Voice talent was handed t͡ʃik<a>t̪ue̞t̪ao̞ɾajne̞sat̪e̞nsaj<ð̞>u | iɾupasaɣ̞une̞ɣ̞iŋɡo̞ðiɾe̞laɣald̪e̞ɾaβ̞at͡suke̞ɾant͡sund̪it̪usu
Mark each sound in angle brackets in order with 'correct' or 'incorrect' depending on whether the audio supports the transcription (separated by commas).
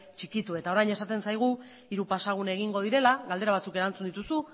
incorrect, incorrect